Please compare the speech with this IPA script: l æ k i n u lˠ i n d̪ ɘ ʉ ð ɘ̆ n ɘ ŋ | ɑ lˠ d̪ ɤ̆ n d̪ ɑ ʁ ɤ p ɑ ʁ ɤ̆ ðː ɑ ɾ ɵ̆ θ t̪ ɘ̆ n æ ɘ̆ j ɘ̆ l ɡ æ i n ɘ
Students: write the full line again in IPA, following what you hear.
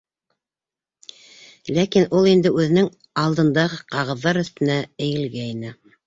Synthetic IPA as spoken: l æ k i n u lˠ i n d̪ ɘ ʉ ð ɘ̆ n ɘ ŋ | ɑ lˠ d̪ ɤ̆ n d̪ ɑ ʁ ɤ q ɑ ʁ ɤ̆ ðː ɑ ɾ ɵ̆ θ t̪ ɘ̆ n æ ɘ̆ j ɘ̆ l ɡ æ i n ɘ